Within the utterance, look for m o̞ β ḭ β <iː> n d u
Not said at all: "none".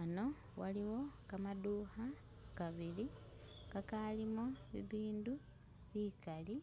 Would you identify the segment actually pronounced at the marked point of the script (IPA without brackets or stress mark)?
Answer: iː